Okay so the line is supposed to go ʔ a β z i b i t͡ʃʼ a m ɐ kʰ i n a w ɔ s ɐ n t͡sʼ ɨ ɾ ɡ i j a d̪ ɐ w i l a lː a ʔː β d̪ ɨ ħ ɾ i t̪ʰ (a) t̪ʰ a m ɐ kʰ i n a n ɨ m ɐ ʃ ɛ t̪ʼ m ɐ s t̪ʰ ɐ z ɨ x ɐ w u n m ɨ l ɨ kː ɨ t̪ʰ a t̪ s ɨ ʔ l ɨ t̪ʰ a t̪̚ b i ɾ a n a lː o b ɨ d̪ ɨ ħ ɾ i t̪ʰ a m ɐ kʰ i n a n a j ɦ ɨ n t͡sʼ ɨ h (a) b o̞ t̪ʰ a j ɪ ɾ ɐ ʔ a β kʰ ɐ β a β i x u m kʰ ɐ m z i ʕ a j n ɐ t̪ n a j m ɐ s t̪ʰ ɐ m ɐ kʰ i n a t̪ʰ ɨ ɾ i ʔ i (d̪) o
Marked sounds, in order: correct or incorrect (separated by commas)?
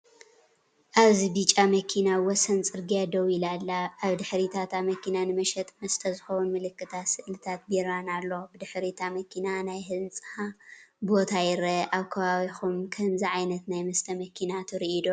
correct, correct, correct